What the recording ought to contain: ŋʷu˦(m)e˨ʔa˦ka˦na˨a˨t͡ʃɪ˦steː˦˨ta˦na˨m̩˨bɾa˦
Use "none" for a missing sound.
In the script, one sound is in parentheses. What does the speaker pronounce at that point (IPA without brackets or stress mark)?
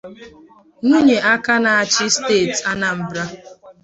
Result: ɲ